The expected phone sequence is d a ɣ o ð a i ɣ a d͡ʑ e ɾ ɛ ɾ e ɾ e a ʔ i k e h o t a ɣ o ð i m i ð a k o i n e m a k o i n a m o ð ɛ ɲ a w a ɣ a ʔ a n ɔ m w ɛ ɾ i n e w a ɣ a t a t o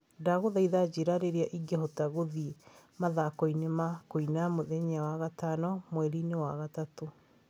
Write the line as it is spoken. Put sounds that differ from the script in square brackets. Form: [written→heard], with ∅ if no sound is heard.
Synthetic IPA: d a ɣ o ð a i [ɣ→ð] a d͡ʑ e ɾ [ɛ→a] ɾ e ɾ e a ʔ i [k→ɡ] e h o t a ɣ o ð i m [i→a] ð a k o i n e m a k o i n a m o ð ɛ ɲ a w a ɣ a [ʔ→t] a n ɔ m w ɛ ɾ i n e w a ɣ a t a t o